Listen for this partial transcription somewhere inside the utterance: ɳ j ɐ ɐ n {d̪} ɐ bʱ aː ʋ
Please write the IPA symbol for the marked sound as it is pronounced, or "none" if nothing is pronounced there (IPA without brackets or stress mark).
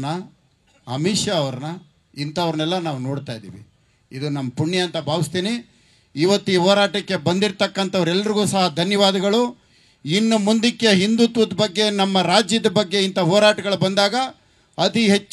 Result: t̪